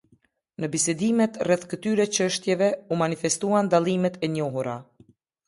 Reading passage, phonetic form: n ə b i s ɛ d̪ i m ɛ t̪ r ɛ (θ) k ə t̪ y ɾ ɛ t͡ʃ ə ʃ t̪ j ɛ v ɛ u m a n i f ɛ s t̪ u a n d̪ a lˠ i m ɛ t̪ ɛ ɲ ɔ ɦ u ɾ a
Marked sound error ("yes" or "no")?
no